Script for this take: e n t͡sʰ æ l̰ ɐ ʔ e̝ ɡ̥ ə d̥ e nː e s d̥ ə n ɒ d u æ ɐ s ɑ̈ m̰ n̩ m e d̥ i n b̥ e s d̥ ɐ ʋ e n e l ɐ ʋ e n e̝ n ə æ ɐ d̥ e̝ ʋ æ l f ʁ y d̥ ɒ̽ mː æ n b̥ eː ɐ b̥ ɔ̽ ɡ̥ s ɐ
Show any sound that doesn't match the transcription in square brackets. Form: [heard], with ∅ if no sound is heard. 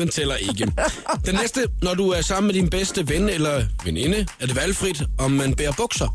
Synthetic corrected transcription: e n t͡sʰ [e] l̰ ɐ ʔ e̝ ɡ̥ ə d̥ e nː e s d̥ ə n ɒ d u æ ɐ s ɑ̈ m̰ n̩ m e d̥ i n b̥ e s d̥ [ə] ʋ e n e l ɐ ʋ e n e̝ n ə æ ɐ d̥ e̝ ʋ æ l f ʁ [i] d̥ ɒ̽ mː æ n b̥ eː ɐ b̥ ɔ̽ ɡ̥ s ɐ